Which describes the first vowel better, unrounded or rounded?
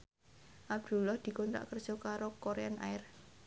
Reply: unrounded